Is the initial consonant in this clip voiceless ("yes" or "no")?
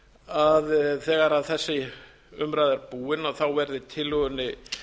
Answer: no